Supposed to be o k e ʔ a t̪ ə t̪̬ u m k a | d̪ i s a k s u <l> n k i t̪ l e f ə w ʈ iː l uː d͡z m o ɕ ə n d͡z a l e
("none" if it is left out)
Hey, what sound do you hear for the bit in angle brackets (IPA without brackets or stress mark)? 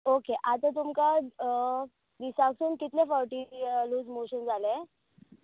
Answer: none